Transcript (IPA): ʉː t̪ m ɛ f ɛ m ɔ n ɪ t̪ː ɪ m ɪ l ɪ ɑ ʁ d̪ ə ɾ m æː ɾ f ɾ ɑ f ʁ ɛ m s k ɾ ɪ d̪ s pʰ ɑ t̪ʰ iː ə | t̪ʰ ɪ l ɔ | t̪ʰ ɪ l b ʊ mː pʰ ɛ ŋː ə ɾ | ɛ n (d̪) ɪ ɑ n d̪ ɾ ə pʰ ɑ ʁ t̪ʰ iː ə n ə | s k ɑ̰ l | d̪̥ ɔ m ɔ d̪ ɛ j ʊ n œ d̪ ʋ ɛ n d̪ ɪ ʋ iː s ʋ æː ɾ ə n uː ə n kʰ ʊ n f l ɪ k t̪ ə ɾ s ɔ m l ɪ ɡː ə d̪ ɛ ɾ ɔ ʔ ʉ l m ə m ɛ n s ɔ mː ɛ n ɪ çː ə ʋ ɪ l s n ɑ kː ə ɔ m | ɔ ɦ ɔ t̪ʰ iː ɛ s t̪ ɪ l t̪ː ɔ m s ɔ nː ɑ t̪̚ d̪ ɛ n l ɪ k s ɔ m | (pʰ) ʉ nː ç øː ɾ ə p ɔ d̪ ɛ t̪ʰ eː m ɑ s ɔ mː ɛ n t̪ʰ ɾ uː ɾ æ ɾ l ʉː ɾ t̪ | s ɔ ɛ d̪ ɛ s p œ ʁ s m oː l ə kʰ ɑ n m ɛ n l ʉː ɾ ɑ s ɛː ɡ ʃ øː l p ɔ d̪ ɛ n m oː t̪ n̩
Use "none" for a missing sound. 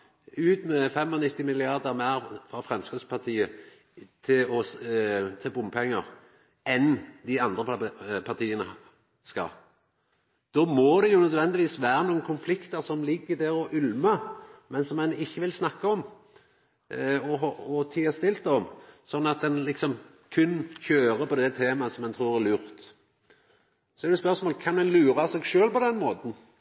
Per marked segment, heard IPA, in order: d̪, kʰ

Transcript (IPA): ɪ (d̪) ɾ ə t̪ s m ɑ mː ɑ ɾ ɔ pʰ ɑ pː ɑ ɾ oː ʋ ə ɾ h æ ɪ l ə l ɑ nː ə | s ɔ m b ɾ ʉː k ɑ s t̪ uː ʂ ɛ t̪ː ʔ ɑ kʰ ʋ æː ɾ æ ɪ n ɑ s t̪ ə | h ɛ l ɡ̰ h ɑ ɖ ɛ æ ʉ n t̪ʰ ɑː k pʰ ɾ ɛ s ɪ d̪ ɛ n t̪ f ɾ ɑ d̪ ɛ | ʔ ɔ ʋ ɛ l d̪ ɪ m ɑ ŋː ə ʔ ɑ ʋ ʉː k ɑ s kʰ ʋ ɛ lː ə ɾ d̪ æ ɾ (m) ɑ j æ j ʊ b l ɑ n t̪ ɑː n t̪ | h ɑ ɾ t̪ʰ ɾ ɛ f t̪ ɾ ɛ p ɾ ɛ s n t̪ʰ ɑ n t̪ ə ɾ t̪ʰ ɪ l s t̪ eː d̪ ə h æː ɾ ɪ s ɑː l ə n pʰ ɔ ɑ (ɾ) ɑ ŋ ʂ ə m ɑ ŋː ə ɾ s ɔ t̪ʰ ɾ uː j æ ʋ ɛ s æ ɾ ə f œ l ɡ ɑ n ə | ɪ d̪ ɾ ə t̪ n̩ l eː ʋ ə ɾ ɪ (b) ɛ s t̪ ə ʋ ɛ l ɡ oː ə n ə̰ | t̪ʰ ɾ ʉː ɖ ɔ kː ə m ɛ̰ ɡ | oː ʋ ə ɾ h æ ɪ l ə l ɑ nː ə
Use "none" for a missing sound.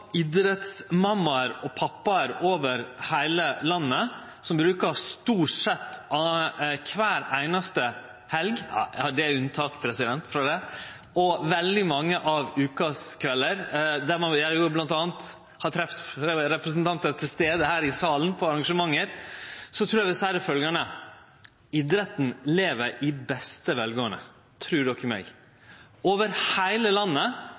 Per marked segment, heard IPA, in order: d̪, m, ɾ, b

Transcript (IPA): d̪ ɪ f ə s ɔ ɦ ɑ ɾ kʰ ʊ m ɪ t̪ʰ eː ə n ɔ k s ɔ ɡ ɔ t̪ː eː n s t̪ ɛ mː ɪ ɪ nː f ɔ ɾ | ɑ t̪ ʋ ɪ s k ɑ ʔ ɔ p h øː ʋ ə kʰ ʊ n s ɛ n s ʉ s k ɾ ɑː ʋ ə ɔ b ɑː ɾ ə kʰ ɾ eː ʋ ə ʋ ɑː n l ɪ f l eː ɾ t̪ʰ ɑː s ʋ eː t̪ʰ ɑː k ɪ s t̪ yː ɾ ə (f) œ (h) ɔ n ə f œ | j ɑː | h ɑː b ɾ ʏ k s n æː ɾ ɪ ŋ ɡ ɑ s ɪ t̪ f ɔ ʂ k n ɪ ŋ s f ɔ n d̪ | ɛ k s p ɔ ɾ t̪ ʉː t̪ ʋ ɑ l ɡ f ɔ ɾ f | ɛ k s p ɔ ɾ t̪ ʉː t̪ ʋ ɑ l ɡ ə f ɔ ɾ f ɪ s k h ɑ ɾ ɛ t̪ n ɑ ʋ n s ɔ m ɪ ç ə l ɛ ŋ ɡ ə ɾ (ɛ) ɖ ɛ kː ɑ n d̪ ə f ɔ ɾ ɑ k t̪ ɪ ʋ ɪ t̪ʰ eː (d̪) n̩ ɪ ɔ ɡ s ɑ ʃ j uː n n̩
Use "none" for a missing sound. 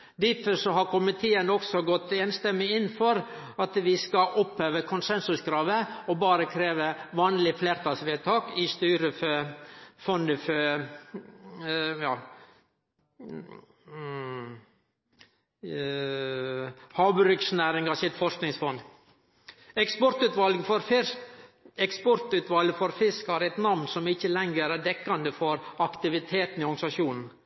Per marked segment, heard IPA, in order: f, f, æ, t̪

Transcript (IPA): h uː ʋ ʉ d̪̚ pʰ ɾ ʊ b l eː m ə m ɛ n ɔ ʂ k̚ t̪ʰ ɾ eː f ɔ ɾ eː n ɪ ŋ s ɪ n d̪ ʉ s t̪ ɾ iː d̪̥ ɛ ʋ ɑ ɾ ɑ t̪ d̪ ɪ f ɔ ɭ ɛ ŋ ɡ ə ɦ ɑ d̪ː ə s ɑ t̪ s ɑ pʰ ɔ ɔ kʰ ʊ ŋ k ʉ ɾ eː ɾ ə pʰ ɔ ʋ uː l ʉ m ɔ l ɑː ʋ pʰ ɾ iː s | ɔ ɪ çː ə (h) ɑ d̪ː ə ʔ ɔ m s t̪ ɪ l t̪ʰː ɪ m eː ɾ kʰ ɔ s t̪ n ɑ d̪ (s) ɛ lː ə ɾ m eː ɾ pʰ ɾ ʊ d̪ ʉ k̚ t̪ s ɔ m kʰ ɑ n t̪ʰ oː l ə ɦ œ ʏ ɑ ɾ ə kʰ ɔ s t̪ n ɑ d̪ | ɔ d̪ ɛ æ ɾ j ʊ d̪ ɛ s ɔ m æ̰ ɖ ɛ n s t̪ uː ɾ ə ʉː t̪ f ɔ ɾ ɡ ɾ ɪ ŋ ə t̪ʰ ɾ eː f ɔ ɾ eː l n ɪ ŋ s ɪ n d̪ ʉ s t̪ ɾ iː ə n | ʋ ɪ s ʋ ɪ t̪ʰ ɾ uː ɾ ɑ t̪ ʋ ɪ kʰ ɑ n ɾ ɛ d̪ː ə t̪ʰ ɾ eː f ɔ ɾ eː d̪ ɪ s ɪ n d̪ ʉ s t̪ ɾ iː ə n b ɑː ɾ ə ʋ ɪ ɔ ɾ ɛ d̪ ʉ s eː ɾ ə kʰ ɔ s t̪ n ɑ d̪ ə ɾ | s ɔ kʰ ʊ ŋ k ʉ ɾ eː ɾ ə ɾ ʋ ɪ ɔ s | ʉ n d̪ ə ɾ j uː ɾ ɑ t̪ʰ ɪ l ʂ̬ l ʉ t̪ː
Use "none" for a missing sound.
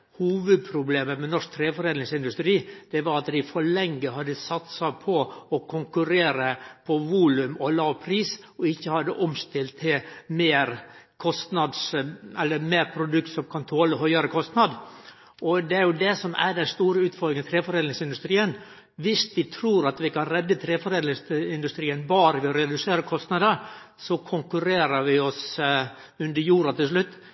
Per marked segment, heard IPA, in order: h, s

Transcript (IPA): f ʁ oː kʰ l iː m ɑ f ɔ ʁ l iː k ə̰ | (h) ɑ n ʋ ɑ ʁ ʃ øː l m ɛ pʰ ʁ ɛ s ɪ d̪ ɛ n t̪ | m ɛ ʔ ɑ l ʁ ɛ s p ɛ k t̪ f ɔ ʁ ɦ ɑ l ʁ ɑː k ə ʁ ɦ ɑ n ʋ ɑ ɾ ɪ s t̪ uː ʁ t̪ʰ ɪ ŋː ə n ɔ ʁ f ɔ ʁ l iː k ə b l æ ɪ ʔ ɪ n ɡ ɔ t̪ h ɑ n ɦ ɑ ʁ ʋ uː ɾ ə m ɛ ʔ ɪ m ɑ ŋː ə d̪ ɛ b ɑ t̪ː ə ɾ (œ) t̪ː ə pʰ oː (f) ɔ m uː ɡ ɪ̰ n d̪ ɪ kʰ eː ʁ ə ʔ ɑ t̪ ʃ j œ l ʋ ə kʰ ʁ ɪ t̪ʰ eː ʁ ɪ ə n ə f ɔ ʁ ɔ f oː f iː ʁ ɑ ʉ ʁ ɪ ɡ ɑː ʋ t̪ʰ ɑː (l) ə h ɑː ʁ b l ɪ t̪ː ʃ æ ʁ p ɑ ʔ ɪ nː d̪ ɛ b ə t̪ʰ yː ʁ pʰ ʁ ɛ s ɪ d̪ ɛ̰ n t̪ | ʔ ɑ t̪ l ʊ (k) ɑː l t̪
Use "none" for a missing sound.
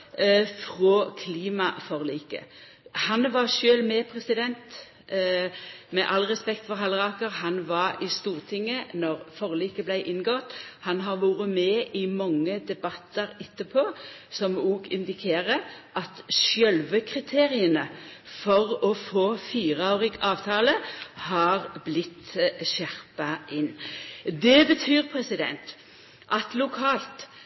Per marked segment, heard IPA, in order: h, ɛ, s, l, kʰ

